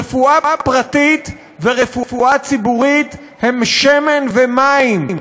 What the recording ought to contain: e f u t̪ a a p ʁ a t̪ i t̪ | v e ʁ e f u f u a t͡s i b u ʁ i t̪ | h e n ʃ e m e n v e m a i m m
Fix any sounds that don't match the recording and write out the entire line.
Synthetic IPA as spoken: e f u a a p ʁ a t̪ i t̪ | v e ʁ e f u f u a t͡s i b u ʁ i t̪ | h e m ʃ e m e n v e m a i m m